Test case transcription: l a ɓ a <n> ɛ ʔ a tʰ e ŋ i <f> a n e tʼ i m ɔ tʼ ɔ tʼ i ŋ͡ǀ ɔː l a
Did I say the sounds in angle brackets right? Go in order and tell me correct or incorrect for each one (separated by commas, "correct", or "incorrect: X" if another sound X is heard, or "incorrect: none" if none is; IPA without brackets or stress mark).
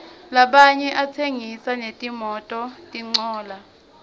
incorrect: ɲ, incorrect: s